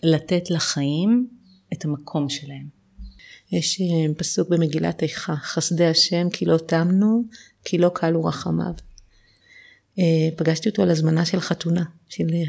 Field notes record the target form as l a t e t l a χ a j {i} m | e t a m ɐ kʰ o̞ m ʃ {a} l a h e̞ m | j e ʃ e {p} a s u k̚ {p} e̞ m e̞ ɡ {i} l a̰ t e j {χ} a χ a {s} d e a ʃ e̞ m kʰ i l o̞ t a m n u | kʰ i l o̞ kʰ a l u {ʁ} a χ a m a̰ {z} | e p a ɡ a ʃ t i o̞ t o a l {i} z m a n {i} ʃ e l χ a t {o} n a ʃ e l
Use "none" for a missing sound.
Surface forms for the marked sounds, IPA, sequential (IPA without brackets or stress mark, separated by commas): i, e, p, b, i, χ, s, ʁ, v, a, a, u